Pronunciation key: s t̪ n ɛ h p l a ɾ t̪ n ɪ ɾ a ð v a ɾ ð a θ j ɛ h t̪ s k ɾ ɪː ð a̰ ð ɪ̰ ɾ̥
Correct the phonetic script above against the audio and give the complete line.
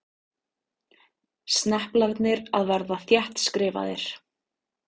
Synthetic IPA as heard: s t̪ n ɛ h p l a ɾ t̪ n ɪ ɾ a ð v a ɾ ð a θ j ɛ h t̪ s k ɾ ɪː v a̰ ð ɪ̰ ɾ̥